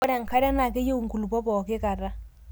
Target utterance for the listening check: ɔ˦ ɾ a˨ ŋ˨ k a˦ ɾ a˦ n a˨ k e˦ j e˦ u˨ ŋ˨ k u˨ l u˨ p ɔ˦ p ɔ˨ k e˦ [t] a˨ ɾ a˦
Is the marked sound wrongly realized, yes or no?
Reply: yes